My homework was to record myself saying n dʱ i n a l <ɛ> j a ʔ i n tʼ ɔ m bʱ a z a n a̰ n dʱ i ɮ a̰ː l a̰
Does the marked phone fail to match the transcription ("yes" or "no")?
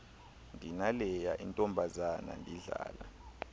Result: no